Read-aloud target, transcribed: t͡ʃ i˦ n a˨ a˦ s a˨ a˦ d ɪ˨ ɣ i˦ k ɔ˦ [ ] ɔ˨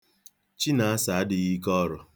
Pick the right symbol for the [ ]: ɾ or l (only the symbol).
ɾ